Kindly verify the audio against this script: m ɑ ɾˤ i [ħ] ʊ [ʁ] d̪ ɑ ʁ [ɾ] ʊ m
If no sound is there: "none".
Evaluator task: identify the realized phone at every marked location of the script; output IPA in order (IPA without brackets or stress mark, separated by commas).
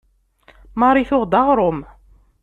θ, ʁ, ɾ